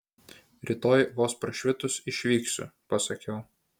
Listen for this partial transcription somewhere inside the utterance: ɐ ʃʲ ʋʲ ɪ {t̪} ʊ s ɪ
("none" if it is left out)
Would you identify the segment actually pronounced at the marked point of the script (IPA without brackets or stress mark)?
t̪